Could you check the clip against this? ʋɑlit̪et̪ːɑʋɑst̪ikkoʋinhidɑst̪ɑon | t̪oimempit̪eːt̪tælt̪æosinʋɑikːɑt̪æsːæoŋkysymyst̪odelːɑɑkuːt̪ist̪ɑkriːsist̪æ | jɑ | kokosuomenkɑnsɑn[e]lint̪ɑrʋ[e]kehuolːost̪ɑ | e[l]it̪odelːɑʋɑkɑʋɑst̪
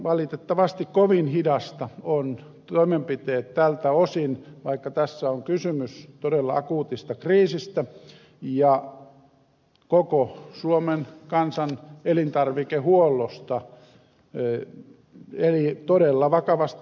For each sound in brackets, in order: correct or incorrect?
correct, incorrect: i, correct

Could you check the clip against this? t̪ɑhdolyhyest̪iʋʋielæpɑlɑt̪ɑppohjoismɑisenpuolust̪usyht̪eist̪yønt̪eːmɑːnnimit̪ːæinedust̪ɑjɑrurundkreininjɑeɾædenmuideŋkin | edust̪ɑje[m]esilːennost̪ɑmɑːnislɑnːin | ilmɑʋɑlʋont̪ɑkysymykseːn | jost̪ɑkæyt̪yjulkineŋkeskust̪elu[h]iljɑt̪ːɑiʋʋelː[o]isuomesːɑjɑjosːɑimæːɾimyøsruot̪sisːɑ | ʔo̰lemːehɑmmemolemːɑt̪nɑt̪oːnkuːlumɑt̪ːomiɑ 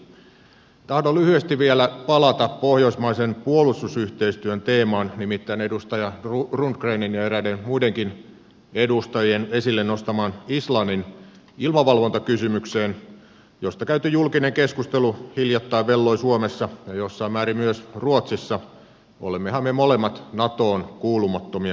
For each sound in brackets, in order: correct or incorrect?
incorrect: n, correct, correct

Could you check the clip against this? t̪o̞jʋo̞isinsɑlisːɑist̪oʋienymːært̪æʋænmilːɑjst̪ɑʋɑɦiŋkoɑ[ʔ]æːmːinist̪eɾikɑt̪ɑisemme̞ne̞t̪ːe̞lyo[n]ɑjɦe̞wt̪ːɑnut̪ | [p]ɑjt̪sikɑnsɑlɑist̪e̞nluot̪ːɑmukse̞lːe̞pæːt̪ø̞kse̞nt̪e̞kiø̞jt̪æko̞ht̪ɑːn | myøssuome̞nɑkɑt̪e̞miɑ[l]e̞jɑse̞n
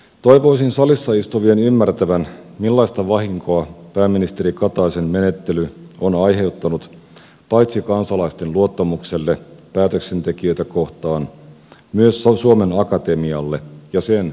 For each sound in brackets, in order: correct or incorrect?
incorrect: p, correct, correct, incorrect: lː

